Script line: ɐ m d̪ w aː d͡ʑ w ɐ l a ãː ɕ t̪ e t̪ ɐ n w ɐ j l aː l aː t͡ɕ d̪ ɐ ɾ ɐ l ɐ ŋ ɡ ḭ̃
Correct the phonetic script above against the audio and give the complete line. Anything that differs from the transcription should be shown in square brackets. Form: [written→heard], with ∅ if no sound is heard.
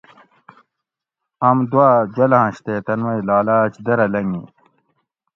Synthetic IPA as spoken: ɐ m d̪ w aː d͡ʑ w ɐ l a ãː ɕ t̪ e t̪ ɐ n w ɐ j l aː l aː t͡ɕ d̪ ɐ ɾ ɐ l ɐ ŋ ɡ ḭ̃

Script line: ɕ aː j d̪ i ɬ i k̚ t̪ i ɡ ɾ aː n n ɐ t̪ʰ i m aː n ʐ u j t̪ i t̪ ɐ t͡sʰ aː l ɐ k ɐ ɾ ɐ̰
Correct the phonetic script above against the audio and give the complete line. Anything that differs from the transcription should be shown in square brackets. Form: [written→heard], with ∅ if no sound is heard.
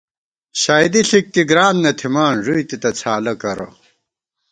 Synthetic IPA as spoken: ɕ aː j d̪ i ɬ i k̚ t̪ i ɡ ɾ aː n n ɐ t̪ʰ i m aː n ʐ u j t̪ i t̪ ɐ t͡sʰ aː l ɐ k ɐ ɾ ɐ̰

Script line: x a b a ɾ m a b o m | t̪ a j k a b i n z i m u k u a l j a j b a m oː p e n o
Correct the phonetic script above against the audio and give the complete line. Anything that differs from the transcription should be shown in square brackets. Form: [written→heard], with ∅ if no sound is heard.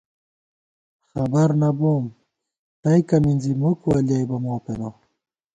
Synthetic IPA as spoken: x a b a ɾ [m→n] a b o m | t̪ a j k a [b→m] i n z i m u k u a l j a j b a m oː p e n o

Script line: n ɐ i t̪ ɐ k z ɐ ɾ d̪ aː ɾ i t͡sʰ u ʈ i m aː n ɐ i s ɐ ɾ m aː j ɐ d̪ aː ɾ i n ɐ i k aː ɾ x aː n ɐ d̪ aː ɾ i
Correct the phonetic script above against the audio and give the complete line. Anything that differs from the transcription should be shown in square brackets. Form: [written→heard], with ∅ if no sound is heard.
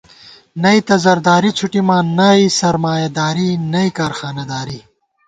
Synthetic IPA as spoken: n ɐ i t̪ ɐ [k→∅] z ɐ ɾ d̪ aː ɾ i t͡sʰ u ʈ i m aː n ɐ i s ɐ ɾ m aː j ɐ d̪ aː ɾ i n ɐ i k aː ɾ x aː n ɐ d̪ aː ɾ i

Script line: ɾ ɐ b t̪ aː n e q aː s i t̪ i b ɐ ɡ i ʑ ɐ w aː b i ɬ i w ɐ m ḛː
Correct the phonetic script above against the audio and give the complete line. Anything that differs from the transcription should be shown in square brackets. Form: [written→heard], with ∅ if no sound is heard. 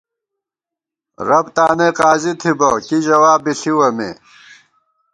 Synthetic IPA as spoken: ɾ ɐ b t̪ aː n e q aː [s→z] i [t̪→t̪ʰ] i b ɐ [ɡ→k] i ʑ ɐ w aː b i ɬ i w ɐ m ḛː

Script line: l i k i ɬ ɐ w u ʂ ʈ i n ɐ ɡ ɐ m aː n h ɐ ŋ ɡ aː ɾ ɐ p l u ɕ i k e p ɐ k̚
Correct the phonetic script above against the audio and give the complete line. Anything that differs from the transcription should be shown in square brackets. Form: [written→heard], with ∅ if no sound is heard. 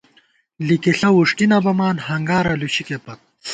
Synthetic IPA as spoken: l i k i ɬ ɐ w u ʂ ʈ i n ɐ [ɡ→b] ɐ m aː n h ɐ ŋ ɡ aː ɾ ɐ [p→∅] l u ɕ i k e p ɐ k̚

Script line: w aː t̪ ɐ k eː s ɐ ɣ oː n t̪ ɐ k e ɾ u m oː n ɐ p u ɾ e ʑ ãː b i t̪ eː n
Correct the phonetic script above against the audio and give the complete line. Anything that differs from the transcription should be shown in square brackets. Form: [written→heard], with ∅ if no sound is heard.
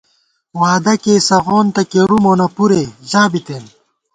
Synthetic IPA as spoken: w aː [t̪→d̪] ɐ k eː s ɐ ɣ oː n t̪ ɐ k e ɾ u m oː n ɐ p u ɾ e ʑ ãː b i t̪ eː n

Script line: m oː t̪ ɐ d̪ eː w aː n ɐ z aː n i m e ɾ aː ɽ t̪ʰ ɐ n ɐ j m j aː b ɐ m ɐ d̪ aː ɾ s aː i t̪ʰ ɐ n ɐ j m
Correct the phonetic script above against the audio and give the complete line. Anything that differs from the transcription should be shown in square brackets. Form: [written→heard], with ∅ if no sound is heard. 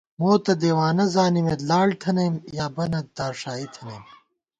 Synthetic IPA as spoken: m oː t̪ ɐ d̪ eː w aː n ɐ z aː n i m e [ɾ→l] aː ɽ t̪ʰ ɐ n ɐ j m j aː b ɐ [m→n] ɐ d̪ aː ɾ [s→ʂ] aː i t̪ʰ ɐ n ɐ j m

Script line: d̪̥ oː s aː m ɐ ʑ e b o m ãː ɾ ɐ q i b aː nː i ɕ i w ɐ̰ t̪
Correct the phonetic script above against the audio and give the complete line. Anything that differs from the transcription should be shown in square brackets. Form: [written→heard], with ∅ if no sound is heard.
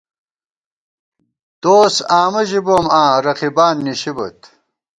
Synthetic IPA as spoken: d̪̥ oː s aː m ɐ ʑ [e→i] b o m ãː ɾ ɐ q i b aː nː i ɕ i [w→b] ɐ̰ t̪

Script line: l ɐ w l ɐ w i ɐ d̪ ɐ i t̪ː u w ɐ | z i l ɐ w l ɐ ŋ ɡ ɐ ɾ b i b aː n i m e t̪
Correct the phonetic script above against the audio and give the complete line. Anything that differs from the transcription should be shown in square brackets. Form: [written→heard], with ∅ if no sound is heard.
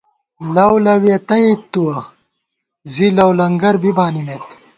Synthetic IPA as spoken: l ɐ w l ɐ w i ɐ [d̪→t̪] ɐ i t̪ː u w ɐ | z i l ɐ w l ɐ ŋ ɡ ɐ ɾ b i b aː n i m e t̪

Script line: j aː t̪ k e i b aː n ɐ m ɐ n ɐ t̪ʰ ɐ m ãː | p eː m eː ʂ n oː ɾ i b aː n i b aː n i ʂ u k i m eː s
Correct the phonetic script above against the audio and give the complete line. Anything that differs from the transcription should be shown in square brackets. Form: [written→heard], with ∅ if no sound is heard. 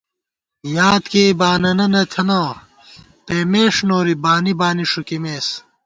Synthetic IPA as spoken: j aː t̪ k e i b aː n ɐ [m→n] ɐ n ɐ t̪ʰ ɐ [m→n] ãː | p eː m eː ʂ n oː ɾ i b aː n i b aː n i ʂ u k i m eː s

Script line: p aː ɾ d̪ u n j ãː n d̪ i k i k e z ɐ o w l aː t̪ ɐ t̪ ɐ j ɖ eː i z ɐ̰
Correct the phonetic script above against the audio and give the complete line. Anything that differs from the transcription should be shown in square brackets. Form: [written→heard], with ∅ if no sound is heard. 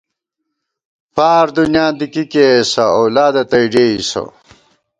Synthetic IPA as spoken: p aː ɾ d̪ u n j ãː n d̪ i k i k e [z→s] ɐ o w l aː [t̪→d̪] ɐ t̪ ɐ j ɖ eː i [z→s] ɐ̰

